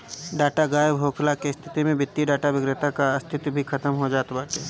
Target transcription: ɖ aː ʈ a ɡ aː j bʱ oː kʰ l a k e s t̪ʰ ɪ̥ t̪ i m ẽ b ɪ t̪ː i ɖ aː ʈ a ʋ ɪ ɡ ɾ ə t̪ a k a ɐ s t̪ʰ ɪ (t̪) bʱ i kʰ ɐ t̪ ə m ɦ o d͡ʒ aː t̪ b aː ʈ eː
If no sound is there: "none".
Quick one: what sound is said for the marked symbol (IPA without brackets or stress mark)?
t̪